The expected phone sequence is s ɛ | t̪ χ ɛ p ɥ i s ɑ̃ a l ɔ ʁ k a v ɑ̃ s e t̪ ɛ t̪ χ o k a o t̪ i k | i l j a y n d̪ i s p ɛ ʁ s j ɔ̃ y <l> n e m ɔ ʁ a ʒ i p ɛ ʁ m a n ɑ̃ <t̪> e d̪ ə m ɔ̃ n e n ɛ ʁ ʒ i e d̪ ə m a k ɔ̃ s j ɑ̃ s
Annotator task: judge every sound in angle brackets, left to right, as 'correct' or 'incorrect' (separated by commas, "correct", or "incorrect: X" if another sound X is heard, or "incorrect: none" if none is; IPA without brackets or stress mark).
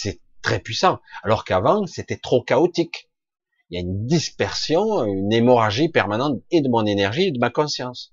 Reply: incorrect: none, correct